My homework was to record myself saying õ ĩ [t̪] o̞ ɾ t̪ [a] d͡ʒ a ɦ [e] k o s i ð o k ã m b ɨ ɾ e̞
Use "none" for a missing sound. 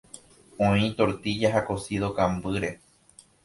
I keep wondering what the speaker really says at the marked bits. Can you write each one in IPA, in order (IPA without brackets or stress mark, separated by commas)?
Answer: t̪, i, a